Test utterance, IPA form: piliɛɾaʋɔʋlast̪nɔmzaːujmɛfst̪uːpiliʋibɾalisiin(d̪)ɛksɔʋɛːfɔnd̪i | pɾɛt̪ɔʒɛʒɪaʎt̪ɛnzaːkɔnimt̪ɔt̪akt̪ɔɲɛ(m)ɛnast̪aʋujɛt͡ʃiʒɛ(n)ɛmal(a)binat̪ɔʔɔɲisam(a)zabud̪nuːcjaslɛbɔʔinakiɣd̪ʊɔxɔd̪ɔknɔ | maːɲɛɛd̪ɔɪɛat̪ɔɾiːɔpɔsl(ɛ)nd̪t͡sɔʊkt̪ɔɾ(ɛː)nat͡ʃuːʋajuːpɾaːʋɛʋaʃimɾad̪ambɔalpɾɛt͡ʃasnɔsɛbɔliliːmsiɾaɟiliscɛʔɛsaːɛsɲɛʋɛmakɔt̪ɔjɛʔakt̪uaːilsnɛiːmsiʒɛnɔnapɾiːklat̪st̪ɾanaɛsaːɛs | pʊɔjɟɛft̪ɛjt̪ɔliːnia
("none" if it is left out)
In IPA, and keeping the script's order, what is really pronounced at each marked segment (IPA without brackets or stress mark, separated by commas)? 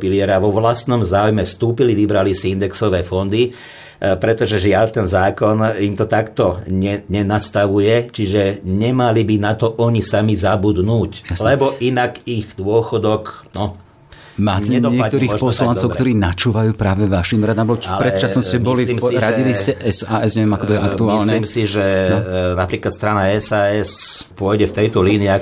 d̪, ɲ, ɲ, i, i, a, iː